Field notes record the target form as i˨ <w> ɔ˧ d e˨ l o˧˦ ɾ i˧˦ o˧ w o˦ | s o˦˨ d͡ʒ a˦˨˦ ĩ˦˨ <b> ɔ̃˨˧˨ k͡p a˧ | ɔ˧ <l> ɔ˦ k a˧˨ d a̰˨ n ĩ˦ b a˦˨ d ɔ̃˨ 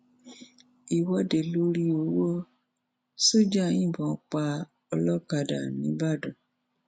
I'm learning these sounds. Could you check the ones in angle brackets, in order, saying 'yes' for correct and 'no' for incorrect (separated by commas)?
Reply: yes, yes, yes